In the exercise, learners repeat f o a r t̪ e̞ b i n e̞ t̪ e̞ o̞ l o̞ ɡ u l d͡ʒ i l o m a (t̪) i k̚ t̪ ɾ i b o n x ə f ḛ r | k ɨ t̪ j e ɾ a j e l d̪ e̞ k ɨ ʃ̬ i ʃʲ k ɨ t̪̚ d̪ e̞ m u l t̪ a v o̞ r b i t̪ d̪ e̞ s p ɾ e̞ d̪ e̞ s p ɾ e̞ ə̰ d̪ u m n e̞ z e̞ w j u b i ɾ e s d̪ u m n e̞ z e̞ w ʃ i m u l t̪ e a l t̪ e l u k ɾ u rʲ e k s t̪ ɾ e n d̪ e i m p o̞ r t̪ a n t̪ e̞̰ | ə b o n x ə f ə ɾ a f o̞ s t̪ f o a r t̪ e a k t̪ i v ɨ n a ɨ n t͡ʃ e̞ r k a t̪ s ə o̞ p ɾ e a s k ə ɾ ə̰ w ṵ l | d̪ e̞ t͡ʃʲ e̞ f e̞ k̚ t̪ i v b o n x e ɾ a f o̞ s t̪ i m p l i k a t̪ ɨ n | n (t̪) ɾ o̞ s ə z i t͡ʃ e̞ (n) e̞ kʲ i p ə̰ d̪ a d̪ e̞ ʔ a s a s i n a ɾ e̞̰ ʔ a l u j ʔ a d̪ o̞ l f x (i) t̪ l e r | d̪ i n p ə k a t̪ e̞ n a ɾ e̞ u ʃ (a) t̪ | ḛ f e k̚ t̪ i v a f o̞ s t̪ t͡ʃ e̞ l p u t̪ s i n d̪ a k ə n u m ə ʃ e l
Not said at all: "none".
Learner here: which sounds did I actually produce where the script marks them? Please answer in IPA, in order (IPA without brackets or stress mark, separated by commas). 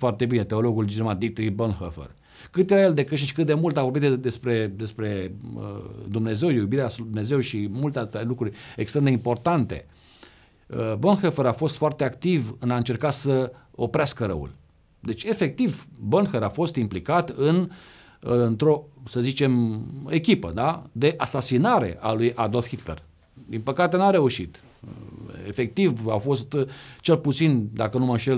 d̪, t̪, m, i, i